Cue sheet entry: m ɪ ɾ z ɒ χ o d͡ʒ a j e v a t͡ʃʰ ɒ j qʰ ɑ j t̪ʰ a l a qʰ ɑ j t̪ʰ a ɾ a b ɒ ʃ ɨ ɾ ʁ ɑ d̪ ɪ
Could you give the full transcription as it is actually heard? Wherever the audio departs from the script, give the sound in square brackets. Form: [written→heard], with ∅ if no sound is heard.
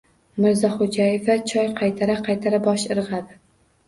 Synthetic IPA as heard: m ɪ ɾ z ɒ χ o d͡ʒ a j e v a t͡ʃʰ ɒ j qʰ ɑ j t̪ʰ a [l→ɾ] a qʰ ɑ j t̪ʰ a ɾ a b ɒ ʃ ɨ ɾ ʁ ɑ d̪ ɪ